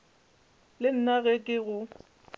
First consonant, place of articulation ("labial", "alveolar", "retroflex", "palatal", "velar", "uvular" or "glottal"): alveolar